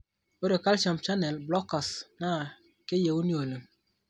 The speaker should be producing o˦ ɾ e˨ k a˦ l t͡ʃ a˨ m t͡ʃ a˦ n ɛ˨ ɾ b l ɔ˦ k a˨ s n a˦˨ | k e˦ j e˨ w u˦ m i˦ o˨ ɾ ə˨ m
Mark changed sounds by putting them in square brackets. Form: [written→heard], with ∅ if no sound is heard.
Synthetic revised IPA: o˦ ɾ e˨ k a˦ l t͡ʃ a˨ m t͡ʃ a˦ n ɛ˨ [ɾ→l] b l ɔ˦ k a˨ s n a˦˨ | k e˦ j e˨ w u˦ [m→n] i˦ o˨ [ɾ→l] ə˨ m

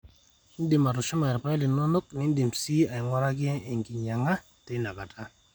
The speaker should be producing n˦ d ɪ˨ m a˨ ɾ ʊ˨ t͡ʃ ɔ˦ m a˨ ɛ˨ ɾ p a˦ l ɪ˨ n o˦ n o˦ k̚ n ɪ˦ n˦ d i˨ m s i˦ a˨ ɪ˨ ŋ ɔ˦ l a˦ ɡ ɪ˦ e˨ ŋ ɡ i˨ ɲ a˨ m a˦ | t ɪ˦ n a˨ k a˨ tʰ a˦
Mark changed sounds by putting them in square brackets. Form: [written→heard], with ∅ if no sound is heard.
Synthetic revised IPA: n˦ d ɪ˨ m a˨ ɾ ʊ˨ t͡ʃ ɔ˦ m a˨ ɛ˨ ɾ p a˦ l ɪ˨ n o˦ n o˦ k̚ n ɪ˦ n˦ d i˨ m s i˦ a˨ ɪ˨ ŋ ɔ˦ [l→ɾ] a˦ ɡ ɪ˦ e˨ ŋ ɡ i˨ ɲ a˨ [m→ŋ] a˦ | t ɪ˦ n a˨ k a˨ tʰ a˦

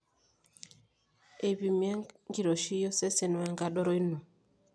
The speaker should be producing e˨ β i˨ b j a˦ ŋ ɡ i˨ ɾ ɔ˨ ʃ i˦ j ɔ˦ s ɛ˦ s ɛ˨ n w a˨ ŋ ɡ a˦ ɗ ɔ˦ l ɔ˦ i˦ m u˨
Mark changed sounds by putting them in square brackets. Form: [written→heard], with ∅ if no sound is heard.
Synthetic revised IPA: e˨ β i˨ [b→m] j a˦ ŋ ɡ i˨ ɾ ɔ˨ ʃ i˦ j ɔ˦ s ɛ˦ s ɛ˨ n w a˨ ŋ ɡ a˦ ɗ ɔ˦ [l→ɾ] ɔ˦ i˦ [m→n] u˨

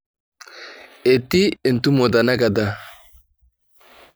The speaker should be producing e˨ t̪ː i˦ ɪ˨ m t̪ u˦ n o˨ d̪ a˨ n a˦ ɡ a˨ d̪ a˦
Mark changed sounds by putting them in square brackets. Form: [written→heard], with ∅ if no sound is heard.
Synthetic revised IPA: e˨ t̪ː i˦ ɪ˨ [m→n] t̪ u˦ [n→m] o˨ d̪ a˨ n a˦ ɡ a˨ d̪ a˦

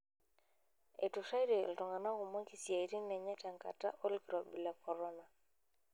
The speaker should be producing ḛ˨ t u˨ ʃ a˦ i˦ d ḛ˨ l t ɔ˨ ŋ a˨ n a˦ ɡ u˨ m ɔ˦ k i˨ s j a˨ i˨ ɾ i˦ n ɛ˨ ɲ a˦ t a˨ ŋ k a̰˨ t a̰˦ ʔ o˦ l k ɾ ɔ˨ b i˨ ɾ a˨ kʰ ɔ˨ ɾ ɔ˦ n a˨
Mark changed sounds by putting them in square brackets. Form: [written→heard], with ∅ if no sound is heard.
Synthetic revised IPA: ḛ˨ t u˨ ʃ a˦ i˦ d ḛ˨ l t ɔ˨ ŋ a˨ n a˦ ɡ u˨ m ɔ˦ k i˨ s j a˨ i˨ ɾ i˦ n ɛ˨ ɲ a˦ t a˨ ŋ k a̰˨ t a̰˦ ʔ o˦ l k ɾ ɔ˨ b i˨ [ɾ→l] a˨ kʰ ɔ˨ ɾ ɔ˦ n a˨

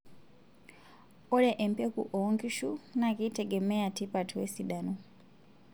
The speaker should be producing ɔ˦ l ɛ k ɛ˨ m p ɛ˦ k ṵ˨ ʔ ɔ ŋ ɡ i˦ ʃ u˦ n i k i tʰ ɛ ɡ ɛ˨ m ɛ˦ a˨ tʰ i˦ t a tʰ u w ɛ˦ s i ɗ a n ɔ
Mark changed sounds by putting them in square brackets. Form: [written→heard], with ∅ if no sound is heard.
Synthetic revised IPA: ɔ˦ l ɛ [k→ʔ] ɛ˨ m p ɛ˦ k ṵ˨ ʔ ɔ ŋ ɡ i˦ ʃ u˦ n [i→a] k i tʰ ɛ ɡ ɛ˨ m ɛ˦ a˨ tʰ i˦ [t→p] a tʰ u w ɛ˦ s i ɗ a n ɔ

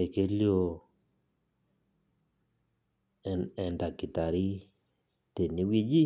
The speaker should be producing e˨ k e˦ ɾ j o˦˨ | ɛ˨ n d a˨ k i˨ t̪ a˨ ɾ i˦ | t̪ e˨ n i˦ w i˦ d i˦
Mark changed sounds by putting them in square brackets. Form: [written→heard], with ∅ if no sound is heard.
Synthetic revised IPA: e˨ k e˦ [ɾ→l] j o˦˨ | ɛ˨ n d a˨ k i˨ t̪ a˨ ɾ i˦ | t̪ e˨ n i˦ w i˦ [d→d͡ʒ] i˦

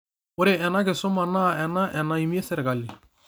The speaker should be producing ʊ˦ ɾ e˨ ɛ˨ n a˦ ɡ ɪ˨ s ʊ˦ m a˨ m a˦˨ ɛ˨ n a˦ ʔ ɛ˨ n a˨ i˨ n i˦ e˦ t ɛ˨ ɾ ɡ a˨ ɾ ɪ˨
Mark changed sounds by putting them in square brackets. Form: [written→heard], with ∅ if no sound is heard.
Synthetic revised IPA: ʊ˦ ɾ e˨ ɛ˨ n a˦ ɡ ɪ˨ s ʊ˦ m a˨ [m→n] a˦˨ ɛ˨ n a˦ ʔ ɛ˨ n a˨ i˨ [n→m] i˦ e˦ [t→s] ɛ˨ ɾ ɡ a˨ [ɾ→l] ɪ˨

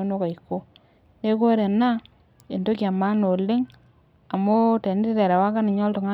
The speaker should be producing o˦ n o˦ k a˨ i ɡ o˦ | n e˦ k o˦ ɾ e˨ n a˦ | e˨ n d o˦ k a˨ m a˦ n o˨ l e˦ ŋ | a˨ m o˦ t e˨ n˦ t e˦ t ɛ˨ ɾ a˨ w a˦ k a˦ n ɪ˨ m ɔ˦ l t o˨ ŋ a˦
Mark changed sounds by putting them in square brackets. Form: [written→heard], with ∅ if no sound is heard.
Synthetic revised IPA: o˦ n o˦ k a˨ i [ɡ→k] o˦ | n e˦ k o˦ ɾ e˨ n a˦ | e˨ n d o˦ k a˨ m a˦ n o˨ l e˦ ŋ | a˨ m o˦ t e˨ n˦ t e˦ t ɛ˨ ɾ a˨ w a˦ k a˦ n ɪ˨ [m→ɲ] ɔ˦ l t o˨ ŋ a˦

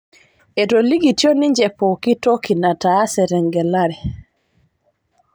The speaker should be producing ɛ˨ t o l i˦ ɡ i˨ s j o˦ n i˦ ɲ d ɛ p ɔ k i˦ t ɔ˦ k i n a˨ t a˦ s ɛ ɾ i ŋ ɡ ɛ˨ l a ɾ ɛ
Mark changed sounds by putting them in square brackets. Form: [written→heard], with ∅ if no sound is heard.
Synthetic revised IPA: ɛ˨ t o l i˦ ɡ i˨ [s→t] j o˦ n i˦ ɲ [d→d͡ʒ] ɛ p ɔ k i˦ t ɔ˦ k i n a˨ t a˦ s ɛ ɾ [i→ɛ] ŋ ɡ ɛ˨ l a ɾ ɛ

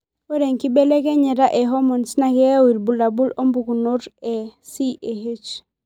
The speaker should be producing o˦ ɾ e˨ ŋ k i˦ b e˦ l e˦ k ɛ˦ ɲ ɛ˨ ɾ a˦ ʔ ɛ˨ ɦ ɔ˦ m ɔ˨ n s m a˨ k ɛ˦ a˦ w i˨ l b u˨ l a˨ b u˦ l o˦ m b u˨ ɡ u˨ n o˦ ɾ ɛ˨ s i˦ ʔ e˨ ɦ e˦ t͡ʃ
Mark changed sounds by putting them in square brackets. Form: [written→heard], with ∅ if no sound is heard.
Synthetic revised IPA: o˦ ɾ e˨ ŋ k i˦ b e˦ l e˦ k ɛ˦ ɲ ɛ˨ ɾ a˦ ʔ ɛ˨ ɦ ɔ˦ m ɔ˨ n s [m→n] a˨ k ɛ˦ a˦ w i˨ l b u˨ l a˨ b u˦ l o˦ m b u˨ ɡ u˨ n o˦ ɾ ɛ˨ s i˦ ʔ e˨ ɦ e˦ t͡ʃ

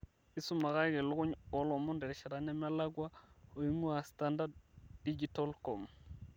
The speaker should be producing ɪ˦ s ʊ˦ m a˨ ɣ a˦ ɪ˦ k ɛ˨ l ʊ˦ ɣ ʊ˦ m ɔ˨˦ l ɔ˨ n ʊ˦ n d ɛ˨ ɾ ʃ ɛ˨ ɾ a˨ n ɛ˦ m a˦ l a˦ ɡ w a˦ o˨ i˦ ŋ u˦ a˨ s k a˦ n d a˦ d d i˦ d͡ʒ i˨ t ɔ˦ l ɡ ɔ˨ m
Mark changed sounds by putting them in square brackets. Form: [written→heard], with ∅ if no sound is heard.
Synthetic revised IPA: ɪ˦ s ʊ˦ m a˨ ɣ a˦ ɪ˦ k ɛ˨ l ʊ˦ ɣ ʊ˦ [m→ɲ] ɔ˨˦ l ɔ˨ [n→m] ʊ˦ n d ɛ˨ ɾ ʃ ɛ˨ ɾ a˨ n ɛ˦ m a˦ l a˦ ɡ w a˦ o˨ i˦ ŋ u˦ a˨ s [k→t] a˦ n d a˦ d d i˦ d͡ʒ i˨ t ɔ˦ l [ɡ→k] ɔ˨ m

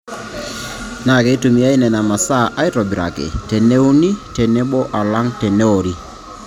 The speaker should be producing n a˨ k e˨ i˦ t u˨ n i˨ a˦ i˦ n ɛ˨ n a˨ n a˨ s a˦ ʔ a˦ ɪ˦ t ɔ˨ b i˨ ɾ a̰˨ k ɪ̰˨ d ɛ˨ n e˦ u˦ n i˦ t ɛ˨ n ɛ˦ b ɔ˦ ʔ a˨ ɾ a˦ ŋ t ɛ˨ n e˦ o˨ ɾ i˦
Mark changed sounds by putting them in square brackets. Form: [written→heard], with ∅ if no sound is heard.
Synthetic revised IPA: n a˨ k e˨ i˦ t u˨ [n→m] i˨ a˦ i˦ n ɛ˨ n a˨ [n→m] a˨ s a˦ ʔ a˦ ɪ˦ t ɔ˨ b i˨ ɾ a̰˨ k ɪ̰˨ [d→t] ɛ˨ n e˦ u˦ n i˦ t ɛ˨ n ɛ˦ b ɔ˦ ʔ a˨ [ɾ→l] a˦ ŋ t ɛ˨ n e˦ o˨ ɾ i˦

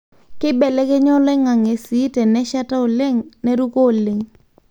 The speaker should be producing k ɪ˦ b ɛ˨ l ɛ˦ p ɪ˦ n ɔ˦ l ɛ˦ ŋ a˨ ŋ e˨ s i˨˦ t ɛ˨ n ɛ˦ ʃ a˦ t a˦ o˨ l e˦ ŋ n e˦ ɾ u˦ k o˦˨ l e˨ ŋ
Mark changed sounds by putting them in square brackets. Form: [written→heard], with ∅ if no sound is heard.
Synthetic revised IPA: k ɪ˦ b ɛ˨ l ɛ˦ [p→k] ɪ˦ [n→ɲ] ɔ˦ l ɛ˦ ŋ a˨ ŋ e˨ s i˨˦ t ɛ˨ n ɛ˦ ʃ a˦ t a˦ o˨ l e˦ ŋ n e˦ ɾ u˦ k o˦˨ l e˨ ŋ

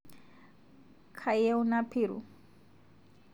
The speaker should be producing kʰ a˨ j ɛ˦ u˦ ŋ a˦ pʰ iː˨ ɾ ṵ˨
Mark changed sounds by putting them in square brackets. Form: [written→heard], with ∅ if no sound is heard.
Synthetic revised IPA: kʰ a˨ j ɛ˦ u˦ [ŋ→n] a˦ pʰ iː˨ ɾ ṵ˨

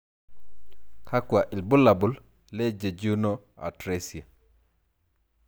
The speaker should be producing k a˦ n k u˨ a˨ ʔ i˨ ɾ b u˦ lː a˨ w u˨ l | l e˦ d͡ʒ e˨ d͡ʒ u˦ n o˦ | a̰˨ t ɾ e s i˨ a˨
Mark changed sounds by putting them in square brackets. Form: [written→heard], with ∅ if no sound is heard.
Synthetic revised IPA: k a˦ [n→∅] k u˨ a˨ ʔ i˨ [ɾ→l] b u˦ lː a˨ [w→b] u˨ l | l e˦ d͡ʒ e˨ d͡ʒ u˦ n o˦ | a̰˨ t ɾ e s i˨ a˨

